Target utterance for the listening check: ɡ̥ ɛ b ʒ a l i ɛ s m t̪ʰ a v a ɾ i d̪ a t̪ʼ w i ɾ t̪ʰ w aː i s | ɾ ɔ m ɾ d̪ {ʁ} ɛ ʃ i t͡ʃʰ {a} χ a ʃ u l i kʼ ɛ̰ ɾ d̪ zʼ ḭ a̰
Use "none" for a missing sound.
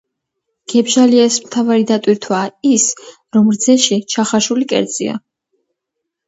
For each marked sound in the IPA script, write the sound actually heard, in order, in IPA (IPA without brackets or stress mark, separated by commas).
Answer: z, a